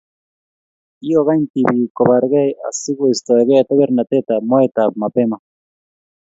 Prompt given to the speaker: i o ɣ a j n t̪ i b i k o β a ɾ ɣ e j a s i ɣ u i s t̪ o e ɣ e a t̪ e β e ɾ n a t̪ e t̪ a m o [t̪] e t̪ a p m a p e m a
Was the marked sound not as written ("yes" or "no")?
yes